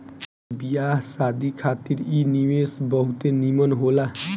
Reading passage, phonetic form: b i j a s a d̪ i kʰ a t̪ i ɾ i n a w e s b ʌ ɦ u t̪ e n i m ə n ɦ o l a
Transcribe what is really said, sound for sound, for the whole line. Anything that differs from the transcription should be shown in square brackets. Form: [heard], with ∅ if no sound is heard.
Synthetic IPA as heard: b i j a s a d̪ i kʰ a t̪ i ɾ i n [i] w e s b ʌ ɦ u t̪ e n i m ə n ɦ o l a